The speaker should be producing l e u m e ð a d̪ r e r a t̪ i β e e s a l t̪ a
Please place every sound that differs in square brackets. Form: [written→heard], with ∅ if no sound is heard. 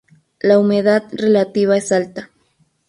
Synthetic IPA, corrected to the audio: l [e→a] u m e ð a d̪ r e [r→l] a t̪ i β [e→a] e s a l t̪ a